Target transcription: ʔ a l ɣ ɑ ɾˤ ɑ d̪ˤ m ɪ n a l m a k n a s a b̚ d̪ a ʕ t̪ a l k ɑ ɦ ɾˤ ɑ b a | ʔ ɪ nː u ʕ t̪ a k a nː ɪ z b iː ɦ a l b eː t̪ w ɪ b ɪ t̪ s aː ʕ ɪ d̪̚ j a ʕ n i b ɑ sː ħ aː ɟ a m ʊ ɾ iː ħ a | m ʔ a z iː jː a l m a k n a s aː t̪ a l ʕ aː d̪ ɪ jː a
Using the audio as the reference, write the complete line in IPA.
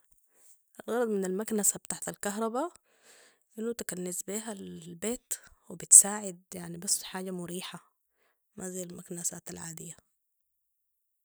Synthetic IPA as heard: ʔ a l ɣ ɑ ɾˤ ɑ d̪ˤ m ɪ n a l m a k n a s a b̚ t̪ a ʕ t̪ a l k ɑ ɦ ɾˤ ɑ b a | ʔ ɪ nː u t̪ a k a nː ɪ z b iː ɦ a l b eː t̪ w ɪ b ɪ t̪ s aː ʕ ɪ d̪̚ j a ʕ n i b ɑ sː ħ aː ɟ a m ʊ ɾ iː ħ a | m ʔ a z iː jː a l m a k n a s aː t̪ a l ʕ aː d̪ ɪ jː a